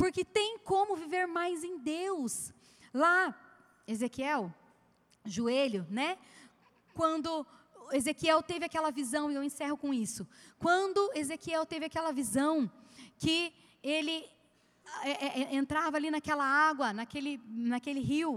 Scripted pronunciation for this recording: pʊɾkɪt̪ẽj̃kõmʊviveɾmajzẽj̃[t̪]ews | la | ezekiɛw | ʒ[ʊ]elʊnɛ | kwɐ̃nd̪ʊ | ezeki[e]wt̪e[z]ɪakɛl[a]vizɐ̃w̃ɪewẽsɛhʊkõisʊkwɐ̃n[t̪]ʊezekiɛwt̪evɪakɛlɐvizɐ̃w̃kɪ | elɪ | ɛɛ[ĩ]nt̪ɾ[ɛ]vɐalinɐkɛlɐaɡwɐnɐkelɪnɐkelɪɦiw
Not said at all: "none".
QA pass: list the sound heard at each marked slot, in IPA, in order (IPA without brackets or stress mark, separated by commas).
d̪, u, ɛ, v, ɐ, d̪, ẽ, a